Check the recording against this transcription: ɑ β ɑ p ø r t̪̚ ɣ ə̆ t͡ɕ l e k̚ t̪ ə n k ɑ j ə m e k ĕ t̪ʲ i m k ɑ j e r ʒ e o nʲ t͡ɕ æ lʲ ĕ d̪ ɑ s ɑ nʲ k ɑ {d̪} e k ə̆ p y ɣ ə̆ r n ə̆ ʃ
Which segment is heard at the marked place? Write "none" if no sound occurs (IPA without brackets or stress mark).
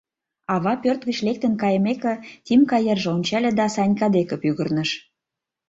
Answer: d̪